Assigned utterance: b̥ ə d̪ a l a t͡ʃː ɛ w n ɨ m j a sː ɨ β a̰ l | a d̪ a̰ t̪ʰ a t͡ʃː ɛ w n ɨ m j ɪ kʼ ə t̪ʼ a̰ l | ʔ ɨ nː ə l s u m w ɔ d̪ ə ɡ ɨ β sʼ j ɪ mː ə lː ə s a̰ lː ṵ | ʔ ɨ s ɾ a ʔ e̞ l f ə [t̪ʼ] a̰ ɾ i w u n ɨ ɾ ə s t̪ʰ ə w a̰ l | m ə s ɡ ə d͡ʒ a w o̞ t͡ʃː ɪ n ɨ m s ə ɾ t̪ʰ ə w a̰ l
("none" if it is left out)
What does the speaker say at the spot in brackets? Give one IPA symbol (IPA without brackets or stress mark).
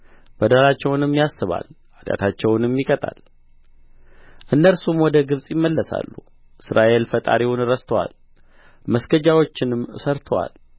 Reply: t̪ʼ